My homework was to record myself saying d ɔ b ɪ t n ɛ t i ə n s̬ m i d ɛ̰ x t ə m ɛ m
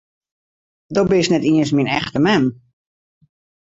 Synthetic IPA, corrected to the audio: d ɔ b ɪ s n ɛ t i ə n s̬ m i n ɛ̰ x t ə m ɛ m